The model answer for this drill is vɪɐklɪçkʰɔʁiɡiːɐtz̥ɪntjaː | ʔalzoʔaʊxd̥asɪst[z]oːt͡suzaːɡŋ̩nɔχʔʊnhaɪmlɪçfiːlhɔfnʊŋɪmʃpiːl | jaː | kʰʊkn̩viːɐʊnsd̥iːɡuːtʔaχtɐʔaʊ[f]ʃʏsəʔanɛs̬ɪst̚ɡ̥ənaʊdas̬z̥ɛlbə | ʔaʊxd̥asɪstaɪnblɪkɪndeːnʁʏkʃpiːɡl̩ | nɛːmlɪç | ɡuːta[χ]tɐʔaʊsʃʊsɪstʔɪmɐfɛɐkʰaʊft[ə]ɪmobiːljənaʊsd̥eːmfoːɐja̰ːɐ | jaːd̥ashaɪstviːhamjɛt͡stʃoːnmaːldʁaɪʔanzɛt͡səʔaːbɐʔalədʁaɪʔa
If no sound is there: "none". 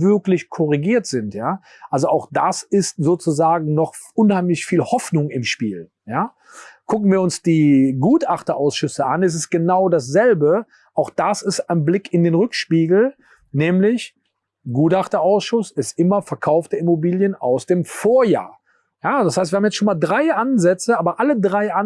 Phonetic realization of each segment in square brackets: z, s, χ, ə

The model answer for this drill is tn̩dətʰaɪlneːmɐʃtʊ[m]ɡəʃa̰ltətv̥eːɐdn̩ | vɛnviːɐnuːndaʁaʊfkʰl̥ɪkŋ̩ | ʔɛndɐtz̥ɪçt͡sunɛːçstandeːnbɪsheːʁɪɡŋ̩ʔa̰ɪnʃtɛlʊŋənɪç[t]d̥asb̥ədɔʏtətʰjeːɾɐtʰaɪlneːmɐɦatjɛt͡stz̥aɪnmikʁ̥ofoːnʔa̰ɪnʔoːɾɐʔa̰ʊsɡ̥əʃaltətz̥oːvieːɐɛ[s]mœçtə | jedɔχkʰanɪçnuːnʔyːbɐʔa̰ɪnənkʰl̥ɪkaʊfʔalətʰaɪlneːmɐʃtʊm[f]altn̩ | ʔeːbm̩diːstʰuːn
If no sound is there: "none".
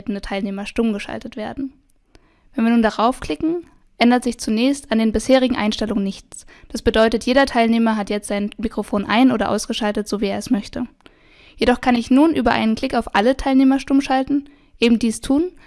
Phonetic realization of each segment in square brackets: m, t͡s, s, ʃ

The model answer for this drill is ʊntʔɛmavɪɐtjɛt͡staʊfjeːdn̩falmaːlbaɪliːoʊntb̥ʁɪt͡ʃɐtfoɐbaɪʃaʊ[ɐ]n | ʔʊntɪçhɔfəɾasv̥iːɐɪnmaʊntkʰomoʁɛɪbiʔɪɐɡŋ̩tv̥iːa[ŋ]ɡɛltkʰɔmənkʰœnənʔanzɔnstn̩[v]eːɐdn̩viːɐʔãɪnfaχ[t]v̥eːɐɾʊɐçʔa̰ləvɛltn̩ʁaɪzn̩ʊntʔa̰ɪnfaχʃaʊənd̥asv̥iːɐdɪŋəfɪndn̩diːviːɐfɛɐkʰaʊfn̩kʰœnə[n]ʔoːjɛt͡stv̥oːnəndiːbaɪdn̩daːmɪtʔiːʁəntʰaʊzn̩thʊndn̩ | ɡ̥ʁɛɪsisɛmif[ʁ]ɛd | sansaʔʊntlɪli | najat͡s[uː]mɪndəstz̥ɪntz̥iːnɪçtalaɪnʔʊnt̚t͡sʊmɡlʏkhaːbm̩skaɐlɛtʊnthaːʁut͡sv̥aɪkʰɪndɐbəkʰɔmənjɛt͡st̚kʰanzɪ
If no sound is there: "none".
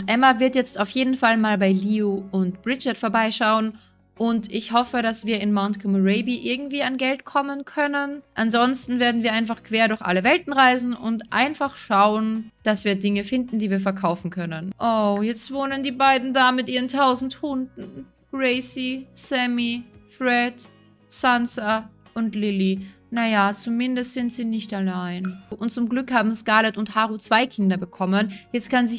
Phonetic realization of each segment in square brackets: ə, n, v, k, n, ʁ, u

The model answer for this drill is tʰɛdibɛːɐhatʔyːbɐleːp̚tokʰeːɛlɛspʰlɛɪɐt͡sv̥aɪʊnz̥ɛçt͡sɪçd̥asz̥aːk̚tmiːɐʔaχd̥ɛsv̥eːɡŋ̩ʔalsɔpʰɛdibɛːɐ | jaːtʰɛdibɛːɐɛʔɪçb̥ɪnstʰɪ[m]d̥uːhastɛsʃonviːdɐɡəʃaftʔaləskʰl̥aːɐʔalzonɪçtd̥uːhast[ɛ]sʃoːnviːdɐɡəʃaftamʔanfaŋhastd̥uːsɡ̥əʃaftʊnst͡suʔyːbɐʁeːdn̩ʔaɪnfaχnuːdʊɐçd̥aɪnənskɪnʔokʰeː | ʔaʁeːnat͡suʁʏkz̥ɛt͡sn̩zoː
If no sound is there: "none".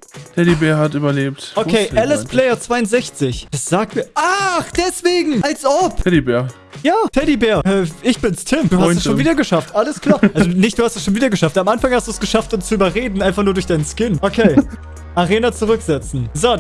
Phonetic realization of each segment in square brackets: m, ɛ

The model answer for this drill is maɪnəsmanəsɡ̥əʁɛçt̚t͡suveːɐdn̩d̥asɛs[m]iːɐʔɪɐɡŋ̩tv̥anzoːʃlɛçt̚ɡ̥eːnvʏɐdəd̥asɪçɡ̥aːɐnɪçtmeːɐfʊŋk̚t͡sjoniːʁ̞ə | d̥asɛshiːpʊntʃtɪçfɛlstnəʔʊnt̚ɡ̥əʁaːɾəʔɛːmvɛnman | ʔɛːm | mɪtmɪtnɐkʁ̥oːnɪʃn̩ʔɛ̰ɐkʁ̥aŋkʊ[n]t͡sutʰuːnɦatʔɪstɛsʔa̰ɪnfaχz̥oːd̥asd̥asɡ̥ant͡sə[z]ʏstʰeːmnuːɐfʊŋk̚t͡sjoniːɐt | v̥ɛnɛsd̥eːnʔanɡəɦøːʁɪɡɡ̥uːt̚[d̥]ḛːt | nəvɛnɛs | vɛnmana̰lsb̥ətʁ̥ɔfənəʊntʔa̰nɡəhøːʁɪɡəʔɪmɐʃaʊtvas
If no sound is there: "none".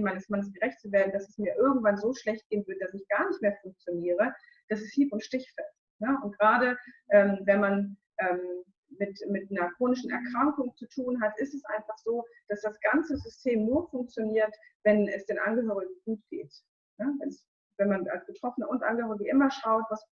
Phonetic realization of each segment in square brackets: m, ŋ, z, ɡ̥

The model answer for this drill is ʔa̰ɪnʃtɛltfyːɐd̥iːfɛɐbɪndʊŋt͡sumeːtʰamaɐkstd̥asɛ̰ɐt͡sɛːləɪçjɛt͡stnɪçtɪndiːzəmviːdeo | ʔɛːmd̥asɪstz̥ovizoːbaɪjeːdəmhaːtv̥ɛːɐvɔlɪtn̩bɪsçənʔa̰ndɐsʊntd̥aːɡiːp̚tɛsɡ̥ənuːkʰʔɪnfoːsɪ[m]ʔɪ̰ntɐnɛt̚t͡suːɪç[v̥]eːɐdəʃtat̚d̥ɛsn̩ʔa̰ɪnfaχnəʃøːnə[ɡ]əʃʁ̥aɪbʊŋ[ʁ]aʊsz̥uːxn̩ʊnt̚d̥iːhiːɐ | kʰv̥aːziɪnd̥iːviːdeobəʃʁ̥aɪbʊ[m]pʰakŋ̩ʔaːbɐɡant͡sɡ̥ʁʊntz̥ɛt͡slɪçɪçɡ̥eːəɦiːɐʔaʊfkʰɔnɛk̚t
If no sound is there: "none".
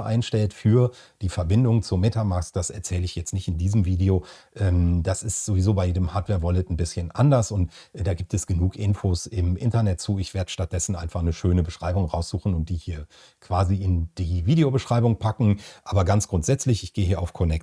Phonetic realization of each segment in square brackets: m, v̥, b, ʁ, ŋ

